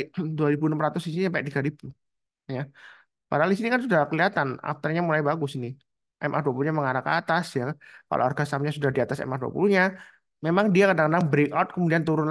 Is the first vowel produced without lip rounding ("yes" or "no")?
no